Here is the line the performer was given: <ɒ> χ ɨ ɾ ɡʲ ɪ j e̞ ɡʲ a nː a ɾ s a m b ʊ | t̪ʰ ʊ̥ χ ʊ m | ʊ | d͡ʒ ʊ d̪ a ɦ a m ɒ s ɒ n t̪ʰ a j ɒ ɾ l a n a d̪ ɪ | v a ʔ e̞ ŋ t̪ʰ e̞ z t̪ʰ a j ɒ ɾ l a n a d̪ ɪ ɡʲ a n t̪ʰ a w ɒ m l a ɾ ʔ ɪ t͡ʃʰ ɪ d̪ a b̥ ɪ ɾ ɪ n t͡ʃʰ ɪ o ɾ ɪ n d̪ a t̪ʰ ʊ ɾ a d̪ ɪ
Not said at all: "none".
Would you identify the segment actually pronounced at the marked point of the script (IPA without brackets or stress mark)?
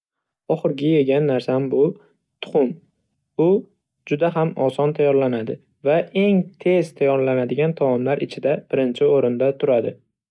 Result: ɒ